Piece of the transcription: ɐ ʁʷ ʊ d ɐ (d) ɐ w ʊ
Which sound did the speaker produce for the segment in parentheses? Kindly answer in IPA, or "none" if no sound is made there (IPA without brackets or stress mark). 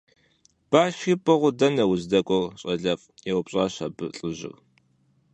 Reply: n